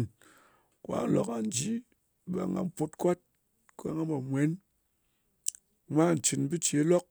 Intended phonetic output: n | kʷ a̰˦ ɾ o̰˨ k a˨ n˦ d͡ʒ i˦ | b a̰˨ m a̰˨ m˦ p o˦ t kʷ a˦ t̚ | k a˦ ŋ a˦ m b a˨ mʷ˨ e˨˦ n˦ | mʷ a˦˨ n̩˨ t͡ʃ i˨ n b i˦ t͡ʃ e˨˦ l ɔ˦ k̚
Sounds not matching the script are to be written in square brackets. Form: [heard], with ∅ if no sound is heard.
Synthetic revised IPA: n | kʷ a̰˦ [l] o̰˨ k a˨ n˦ d͡ʒ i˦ | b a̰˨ [ŋ] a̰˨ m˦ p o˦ t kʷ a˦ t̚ | k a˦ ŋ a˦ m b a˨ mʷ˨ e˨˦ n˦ | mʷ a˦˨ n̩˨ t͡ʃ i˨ n b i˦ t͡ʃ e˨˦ l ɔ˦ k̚